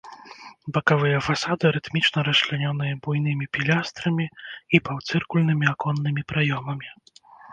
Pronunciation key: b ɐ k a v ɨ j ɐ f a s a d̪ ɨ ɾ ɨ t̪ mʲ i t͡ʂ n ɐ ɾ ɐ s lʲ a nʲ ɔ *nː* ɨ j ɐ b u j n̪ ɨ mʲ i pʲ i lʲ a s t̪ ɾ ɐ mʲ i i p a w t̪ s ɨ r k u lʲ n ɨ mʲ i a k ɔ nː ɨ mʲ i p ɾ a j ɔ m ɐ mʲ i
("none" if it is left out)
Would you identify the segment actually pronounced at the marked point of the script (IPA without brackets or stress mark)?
n